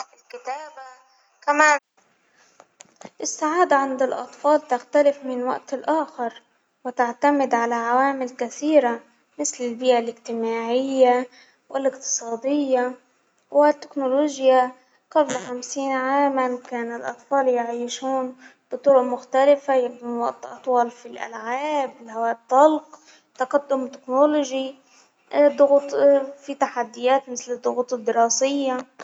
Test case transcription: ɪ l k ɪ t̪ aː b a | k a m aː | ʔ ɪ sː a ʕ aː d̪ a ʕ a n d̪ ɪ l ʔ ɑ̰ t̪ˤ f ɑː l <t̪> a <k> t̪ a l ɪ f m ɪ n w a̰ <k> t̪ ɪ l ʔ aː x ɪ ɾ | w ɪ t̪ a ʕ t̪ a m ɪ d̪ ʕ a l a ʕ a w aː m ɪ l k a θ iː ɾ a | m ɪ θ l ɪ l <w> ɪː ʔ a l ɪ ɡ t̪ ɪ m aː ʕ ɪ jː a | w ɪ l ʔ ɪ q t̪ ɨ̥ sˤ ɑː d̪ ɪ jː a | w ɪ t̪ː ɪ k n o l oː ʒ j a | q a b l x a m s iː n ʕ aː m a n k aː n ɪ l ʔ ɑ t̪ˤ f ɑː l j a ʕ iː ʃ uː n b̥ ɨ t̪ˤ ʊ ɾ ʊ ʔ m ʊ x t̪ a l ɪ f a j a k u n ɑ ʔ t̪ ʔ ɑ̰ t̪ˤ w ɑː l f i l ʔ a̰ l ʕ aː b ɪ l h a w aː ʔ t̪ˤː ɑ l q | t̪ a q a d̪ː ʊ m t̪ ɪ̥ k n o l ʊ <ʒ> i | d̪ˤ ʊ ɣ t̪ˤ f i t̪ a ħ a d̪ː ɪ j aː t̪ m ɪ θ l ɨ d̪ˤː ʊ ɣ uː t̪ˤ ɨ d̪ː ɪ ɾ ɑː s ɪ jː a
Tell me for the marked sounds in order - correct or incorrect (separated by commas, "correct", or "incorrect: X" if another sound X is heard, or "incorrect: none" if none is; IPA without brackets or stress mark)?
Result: correct, incorrect: x, incorrect: ʔ, incorrect: b, correct